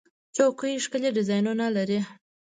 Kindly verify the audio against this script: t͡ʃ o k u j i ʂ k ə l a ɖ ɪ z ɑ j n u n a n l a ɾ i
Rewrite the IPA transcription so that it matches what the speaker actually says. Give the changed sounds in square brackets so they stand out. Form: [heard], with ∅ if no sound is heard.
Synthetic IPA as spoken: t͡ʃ o k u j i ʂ k ə l [e] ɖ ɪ z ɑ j n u n a [∅] l a ɾ i

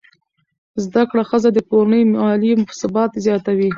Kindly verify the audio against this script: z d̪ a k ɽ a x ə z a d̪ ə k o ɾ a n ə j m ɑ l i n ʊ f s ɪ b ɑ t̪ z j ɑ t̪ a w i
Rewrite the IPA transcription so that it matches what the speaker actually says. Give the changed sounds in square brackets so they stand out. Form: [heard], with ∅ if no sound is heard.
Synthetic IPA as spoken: z d̪ a k ɽ a x ə z a d̪ ə k o ɾ a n ə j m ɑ l i [m] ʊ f s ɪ b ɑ t̪ z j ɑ t̪ a w i

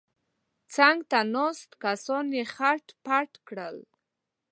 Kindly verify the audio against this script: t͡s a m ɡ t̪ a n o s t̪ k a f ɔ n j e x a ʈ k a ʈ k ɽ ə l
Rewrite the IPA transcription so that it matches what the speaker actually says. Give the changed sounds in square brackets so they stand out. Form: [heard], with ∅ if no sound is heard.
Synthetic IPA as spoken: t͡s a [ŋ] ɡ t̪ a n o s t̪ k a [s] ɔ n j e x a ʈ [p] a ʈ k ɽ ə l

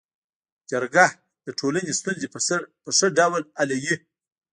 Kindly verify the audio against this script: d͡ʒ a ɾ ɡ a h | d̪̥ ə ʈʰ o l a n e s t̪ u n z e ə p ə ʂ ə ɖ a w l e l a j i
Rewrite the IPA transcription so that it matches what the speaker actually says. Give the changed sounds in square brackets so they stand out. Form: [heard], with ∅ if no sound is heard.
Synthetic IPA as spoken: d͡ʒ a ɾ ɡ a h | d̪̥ ə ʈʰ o l a n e s t̪ u n z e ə p ə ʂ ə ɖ a w l [a] l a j i

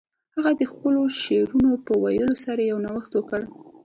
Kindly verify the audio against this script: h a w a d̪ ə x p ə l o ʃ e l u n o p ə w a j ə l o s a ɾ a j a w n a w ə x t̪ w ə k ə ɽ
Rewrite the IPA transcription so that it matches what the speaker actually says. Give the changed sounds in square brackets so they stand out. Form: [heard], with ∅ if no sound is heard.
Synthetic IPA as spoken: h a [ɣ] a d̪ ə x p ə l o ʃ e [ɾ] u n o p ə w a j ə l o s a ɾ a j a w n a w ə x t̪ w ə k ə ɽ

